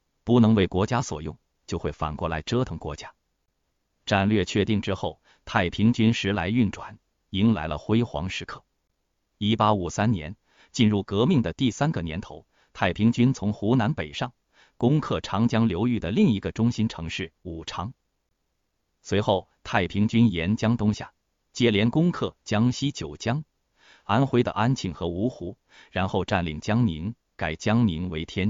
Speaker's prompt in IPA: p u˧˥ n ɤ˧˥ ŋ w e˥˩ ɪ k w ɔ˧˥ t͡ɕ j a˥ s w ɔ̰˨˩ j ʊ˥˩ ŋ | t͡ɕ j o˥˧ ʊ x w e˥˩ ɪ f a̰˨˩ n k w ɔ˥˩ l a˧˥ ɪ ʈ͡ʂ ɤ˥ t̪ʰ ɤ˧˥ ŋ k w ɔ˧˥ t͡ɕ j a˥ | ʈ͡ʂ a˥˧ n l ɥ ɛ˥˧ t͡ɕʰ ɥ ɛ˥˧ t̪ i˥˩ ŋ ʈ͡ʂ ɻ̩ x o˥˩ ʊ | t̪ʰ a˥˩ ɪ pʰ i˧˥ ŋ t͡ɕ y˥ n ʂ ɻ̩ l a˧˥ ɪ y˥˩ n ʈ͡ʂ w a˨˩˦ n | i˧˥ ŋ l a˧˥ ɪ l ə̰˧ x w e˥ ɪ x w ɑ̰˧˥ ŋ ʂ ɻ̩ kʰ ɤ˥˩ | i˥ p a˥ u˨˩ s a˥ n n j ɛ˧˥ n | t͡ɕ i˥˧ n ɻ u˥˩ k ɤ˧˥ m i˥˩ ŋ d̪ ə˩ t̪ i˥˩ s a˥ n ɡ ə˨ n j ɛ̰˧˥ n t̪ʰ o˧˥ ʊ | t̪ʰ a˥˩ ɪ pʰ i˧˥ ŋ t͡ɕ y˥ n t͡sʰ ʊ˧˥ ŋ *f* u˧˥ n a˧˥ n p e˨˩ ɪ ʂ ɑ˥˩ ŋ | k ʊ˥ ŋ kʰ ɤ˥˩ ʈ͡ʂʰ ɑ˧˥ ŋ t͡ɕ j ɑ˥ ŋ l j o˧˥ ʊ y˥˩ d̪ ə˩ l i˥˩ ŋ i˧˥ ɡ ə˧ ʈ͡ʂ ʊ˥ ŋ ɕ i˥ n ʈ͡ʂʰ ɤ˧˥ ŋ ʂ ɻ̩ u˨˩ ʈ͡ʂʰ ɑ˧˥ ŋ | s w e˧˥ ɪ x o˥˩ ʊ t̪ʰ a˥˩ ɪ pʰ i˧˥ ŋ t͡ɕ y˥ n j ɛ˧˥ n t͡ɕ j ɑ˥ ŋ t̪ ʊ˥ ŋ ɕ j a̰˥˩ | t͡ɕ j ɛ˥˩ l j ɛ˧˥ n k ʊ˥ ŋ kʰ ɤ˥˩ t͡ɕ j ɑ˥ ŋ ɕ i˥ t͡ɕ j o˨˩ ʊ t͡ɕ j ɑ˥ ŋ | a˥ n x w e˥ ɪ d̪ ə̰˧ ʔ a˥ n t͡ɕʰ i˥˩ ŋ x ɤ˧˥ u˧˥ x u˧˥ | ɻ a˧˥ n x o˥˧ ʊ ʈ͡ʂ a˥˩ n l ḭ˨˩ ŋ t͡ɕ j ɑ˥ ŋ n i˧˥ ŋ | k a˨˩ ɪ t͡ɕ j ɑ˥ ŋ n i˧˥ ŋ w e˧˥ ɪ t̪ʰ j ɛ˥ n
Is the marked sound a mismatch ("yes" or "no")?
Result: yes